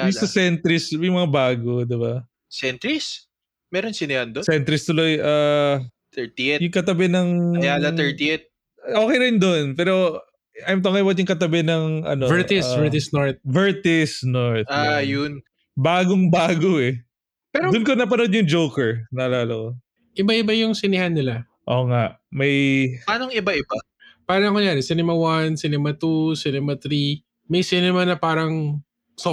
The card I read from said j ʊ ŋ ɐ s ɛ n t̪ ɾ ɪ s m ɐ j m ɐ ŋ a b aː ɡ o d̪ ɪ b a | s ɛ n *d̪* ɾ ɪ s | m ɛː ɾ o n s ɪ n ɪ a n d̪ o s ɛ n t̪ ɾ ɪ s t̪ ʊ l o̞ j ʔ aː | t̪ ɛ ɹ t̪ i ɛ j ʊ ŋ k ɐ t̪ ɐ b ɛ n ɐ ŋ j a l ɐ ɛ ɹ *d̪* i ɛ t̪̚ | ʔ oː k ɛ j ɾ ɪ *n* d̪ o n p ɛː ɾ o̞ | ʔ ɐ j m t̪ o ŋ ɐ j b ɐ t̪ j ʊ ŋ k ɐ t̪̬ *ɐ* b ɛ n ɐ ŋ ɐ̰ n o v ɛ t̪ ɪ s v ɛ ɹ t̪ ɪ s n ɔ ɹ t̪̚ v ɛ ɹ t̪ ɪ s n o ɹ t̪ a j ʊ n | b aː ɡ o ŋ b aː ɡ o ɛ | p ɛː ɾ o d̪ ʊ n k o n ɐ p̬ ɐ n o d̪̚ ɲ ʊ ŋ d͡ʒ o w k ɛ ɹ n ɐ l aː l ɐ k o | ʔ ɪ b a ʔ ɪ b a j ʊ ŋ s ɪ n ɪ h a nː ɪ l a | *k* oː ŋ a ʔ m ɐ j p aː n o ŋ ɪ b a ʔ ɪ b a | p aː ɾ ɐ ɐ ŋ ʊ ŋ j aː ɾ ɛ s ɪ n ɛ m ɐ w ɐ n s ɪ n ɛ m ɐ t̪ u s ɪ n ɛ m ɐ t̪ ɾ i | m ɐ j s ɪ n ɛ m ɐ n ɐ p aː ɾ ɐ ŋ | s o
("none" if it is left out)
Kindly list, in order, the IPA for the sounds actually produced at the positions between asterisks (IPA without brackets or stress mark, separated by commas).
t̪, t̪, n, ɐ, ʔ